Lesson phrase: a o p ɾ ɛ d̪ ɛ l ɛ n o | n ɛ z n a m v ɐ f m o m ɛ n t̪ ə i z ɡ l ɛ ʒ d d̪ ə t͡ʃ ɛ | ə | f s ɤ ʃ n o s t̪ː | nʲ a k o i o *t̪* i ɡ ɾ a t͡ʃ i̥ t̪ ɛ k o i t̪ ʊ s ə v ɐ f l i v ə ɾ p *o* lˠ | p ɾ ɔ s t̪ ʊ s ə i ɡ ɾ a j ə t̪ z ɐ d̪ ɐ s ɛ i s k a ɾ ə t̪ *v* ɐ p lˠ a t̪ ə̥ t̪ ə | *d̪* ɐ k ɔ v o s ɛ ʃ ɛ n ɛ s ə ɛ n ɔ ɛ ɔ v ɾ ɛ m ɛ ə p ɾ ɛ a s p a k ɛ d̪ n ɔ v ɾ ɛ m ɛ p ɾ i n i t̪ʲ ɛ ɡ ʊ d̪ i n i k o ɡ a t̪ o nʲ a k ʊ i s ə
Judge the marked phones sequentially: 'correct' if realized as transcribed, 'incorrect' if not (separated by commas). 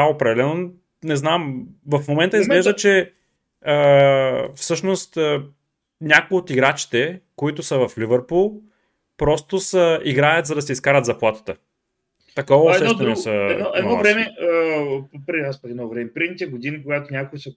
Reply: correct, incorrect, incorrect, incorrect